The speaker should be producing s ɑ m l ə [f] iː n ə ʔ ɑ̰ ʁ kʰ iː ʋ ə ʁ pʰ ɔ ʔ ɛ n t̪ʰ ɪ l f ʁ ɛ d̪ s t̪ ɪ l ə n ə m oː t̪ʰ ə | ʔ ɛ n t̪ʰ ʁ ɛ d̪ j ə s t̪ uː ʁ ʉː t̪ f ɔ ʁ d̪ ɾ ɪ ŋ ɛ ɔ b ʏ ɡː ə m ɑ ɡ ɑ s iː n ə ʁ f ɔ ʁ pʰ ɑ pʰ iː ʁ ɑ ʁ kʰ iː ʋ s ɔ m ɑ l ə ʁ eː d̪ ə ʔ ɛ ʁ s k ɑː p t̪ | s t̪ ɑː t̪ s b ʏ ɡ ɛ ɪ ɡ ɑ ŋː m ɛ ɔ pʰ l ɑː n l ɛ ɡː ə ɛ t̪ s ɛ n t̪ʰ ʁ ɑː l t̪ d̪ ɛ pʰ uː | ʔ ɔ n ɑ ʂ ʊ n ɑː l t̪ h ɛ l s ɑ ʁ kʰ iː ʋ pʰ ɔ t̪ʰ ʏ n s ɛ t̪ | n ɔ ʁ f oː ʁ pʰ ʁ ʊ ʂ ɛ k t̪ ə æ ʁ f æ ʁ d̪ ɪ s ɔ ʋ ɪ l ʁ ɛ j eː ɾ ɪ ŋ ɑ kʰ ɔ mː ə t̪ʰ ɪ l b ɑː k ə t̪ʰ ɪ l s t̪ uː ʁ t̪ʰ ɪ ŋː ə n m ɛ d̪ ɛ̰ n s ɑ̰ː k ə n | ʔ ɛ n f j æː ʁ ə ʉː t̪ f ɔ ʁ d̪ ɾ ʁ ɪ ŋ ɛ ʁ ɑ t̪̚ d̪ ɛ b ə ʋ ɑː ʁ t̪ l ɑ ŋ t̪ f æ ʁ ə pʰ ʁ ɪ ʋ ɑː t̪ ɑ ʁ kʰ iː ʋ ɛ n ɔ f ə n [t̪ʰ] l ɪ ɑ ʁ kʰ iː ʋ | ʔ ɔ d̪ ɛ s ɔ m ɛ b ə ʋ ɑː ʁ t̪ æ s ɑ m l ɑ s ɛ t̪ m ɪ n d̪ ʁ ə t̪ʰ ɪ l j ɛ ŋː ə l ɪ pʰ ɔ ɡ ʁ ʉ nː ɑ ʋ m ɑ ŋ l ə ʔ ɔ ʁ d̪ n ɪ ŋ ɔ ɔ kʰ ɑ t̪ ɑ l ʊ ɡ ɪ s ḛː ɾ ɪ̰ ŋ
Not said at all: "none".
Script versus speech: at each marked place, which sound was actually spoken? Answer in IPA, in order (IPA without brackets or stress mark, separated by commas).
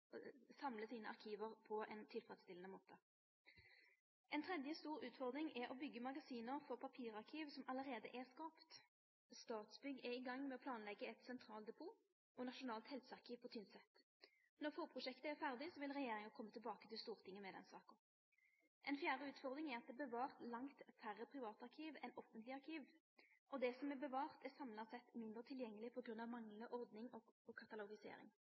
s, t̪